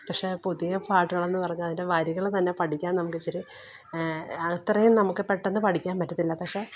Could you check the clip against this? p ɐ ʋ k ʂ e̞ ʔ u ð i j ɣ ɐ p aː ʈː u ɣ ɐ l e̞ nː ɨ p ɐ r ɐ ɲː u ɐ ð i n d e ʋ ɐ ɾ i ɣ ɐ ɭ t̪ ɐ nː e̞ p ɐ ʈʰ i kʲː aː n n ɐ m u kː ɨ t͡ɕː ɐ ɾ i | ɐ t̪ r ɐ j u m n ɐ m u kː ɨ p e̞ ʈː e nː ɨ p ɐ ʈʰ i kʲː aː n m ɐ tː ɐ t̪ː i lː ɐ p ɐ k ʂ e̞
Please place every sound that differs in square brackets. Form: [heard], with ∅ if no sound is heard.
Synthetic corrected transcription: p ɐ [∅] k ʂ e̞ [p] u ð i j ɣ ɐ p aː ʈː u ɣ ɐ [ɭ] e̞ nː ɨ p ɐ r ɐ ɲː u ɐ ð i n d e ʋ ɐ ɾ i ɣ ɐ ɭ t̪ ɐ nː e̞ p ɐ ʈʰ i kʲː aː n n ɐ m u kː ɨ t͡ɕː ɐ ɾ i | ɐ t̪ r ɐ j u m n ɐ m u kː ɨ p e̞ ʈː e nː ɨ p ɐ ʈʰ i kʲː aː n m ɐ tː ɐ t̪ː i lː ɐ p ɐ k ʂ e̞

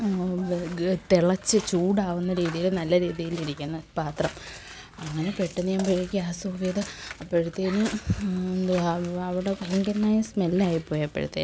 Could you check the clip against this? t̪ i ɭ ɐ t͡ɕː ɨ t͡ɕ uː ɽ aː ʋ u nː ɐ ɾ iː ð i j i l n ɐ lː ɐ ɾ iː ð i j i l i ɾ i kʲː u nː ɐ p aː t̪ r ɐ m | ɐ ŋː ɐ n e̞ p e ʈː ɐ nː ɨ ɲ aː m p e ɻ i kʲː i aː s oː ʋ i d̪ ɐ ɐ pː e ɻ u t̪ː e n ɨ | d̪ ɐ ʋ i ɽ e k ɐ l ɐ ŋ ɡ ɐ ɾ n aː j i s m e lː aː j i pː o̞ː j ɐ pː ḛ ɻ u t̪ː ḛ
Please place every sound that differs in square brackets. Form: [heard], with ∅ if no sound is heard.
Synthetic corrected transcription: t̪ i ɭ ɐ t͡ɕː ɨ t͡ɕ uː ɽ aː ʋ u nː ɐ ɾ iː ð i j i l n ɐ lː ɐ ɾ iː ð i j i l i ɾ i kʲː u nː ɐ p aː t̪ r ɐ m | ɐ ŋː ɐ n e̞ p e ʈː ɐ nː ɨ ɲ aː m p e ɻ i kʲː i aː s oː ʋ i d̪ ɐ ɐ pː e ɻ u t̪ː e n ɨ | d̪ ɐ ʋ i ɽ e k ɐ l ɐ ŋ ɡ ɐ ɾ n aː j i s m e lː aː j i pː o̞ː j ɐ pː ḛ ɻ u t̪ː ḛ

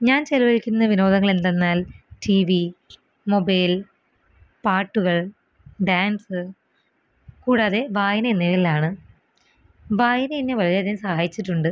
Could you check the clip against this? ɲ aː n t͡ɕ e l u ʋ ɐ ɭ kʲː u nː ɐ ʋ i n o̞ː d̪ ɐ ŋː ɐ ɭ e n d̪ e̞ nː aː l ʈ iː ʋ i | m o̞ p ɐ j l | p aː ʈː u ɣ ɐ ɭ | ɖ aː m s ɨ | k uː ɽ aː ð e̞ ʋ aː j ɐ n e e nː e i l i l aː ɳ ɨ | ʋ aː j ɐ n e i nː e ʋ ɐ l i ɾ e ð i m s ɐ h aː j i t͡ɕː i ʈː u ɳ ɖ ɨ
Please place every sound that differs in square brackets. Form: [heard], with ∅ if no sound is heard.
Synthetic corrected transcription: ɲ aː n t͡ɕ e l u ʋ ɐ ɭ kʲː u nː ɐ ʋ i n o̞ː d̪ ɐ ŋː ɐ ɭ e n d̪ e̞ nː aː l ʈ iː ʋ i | m o̞ [b] ɐ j l | p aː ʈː u ɣ ɐ ɭ | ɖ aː [n] s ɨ | k uː ɽ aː ð e̞ ʋ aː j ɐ n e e nː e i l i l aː ɳ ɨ | ʋ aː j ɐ n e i nː e ʋ ɐ l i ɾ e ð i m s ɐ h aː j i t͡ɕː i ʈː u ɳ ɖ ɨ

